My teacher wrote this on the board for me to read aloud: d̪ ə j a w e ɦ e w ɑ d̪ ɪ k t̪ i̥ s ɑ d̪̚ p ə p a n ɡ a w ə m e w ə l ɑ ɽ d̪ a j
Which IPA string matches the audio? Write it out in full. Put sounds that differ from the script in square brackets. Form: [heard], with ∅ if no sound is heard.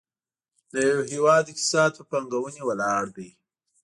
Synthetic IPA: d̪ ə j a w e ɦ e w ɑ d̪ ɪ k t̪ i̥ s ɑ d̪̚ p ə p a [ŋ] ɡ a w ə [n] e w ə l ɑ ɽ d̪ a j

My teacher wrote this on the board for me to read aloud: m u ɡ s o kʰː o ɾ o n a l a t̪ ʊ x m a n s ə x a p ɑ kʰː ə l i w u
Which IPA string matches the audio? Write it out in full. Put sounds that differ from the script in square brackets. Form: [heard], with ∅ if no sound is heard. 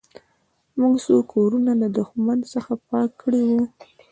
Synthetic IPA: m u ɡ s o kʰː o ɾ [u] n a l a [d̪] ʊ x m a n s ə x a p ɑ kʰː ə [ɽ] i w u

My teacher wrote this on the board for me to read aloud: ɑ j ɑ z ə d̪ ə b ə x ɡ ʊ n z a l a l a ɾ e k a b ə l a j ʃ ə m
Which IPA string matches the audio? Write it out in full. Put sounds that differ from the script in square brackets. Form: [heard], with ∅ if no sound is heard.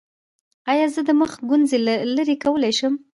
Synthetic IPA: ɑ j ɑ z ə d̪ ə [m] ə x ɡ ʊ n z [e] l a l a ɾ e k a [w] ə l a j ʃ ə m

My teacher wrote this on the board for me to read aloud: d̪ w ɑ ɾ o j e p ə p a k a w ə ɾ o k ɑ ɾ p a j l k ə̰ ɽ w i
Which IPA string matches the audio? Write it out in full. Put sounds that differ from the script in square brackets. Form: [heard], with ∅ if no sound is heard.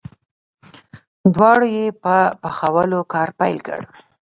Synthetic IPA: d̪ w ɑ [ɽ] o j e p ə p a [x] a w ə [l] o k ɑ ɾ p a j l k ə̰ ɽ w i

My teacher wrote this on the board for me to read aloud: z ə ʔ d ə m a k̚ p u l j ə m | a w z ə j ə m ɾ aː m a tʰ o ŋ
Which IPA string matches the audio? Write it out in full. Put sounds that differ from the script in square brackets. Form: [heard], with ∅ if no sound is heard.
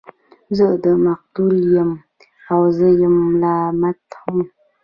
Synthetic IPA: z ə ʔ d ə m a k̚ [t] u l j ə m | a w z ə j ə m [l] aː m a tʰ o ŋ

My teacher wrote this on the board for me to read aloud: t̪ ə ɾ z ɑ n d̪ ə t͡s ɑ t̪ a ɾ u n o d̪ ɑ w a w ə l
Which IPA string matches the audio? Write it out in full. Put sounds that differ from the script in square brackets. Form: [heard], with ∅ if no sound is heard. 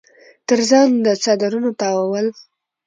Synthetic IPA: t̪ ə ɾ z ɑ n d̪ ə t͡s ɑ [d̪] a ɾ u n o [t̪] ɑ w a w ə l

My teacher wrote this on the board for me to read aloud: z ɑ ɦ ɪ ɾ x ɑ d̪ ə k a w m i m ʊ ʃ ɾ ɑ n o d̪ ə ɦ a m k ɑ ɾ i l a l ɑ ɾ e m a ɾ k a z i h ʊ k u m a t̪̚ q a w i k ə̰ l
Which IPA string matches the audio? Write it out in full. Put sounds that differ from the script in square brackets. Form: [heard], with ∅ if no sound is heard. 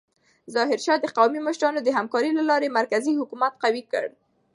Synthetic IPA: z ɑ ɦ ɪ ɾ [ʃ] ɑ d̪ ə [q] a w m i m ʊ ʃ ɾ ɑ n o d̪ ə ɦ a m k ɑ ɾ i l a l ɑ ɾ e m a ɾ k a z i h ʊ k u m a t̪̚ q a w i k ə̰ [ɽ]

